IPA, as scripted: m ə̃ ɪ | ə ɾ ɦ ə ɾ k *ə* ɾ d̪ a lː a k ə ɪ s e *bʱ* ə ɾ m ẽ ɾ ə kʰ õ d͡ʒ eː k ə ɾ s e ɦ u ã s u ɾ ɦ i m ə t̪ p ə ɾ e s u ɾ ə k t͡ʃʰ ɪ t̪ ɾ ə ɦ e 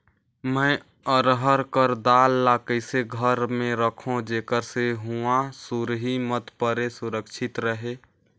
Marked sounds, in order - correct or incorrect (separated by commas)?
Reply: correct, incorrect